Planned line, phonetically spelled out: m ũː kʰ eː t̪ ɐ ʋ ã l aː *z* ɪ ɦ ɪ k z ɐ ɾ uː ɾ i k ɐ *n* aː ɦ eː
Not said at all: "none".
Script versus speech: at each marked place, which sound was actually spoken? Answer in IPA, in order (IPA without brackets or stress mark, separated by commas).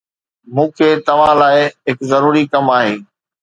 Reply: none, m